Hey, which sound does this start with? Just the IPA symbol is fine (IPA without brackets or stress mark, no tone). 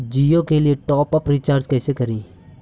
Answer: d͡ʒ